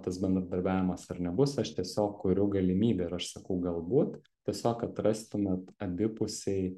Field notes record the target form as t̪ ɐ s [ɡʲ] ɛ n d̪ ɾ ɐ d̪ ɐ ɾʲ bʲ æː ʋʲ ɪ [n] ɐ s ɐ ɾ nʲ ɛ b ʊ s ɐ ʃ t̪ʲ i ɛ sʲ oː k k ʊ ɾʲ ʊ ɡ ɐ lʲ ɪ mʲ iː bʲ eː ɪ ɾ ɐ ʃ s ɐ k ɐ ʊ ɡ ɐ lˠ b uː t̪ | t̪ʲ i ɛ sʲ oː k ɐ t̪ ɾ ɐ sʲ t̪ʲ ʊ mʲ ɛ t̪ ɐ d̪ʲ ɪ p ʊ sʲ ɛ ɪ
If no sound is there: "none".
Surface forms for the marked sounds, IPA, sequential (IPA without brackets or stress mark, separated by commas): bʲ, m